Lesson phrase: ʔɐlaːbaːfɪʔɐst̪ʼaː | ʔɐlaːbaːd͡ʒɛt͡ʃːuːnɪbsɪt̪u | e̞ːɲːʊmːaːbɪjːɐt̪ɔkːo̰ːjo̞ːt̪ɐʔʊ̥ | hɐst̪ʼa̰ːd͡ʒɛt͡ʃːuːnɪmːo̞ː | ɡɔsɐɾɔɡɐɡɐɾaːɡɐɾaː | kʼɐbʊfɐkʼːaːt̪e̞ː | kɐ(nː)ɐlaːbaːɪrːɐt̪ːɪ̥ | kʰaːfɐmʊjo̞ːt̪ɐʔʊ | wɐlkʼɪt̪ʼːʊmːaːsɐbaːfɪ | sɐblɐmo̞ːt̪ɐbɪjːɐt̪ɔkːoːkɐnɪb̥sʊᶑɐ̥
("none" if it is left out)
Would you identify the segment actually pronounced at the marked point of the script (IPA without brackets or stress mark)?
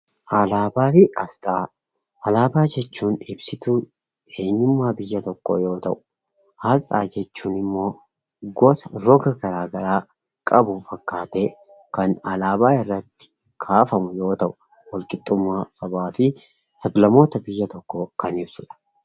n